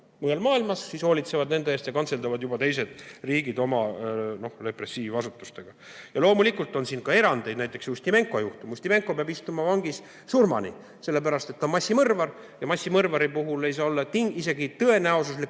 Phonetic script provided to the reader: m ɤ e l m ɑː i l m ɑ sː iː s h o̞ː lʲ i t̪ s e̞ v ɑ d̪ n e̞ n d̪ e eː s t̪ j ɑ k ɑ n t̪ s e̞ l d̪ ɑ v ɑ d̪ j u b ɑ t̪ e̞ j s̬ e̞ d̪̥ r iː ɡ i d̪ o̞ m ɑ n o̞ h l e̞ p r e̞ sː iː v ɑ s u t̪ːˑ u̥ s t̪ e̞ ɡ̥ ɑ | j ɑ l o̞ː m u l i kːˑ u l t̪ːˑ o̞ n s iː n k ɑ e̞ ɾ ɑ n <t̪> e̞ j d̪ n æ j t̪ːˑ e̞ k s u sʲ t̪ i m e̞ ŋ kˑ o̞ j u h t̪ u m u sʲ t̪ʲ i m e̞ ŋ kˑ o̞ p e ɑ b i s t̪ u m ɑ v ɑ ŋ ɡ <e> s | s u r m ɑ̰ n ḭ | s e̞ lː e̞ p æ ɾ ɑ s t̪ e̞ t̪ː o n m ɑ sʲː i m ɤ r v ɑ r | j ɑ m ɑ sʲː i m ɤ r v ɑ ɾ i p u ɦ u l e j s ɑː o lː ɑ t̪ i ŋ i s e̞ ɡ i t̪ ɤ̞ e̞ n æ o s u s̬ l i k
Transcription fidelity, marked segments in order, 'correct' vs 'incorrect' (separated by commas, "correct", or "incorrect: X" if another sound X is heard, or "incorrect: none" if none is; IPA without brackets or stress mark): incorrect: d̪, incorrect: i